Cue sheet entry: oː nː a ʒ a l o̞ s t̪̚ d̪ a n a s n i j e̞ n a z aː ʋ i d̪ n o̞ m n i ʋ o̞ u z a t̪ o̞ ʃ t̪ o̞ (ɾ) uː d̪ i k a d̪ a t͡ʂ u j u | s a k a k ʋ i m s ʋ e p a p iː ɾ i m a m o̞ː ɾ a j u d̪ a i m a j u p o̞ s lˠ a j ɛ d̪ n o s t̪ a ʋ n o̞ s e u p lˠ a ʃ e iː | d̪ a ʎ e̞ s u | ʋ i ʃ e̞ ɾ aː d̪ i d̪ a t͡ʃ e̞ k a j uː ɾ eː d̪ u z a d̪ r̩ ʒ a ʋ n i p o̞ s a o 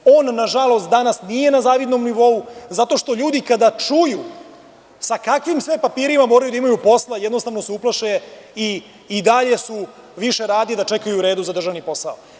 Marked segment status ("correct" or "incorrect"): incorrect